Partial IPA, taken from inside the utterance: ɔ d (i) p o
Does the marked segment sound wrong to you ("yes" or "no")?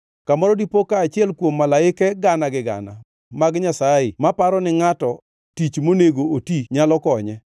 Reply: no